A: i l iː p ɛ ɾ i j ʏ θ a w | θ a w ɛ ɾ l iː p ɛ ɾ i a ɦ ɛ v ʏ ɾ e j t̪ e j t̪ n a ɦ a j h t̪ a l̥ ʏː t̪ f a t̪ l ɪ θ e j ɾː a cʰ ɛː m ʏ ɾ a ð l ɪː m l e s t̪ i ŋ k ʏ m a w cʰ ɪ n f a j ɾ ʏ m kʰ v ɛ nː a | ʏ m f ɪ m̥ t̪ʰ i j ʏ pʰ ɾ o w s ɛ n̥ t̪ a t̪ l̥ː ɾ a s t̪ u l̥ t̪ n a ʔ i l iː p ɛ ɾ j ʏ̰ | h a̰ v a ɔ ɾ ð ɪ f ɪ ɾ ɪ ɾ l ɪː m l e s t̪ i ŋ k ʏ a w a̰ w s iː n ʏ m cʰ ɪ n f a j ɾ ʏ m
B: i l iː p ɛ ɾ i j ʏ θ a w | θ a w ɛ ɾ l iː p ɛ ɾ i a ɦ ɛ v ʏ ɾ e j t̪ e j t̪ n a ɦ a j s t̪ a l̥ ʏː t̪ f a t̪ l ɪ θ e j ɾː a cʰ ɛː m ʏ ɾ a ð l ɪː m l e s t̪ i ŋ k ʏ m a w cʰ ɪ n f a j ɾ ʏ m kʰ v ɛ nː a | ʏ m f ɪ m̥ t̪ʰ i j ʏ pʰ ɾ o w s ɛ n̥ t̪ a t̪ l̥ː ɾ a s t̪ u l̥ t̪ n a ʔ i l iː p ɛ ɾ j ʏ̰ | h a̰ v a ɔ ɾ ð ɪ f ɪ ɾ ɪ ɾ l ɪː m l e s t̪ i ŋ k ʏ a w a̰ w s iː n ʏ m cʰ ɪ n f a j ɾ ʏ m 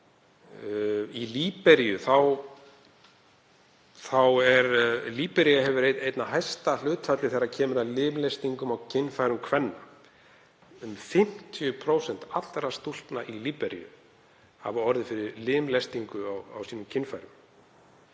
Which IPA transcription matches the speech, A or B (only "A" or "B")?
B